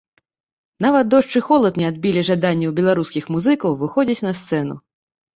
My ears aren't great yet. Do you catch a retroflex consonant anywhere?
yes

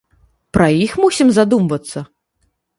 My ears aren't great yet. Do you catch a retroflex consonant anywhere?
no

